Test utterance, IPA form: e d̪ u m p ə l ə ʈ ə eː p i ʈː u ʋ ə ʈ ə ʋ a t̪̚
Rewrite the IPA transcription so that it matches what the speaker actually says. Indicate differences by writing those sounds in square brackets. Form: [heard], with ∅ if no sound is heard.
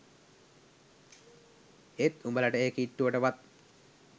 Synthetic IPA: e [t̪] u m [b] ə l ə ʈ ə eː [k] i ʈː u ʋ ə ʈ ə ʋ a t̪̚